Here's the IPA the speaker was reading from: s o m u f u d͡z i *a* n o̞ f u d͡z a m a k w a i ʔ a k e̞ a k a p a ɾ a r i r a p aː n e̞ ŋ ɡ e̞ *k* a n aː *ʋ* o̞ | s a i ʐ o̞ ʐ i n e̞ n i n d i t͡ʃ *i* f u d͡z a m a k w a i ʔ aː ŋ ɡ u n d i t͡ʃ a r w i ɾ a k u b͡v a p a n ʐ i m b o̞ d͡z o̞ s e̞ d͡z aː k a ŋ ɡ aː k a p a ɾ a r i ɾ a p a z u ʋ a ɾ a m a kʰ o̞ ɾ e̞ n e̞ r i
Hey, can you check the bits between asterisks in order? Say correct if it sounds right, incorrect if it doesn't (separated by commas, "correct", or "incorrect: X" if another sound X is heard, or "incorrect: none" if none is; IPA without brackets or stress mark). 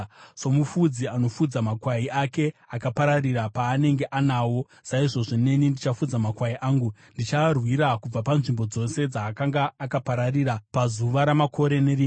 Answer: correct, incorrect: ʔ, incorrect: w, incorrect: a